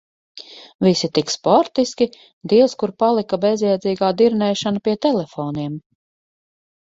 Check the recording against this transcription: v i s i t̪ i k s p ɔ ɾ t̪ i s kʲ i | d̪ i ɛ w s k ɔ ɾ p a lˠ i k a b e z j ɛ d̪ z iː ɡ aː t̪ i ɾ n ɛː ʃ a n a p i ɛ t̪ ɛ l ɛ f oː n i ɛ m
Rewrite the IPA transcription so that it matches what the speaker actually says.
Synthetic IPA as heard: v i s i t̪ i k s p ɔ ɾ t̪ i s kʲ i | d̪ i ɛ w s k u ɾ p a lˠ i k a b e z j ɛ d̪ z iː ɡ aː d̪ i ɾ n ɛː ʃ a n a p i ɛ t̪ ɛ l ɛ f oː n i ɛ m